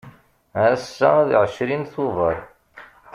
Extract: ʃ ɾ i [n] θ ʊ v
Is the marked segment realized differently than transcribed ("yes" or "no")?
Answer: no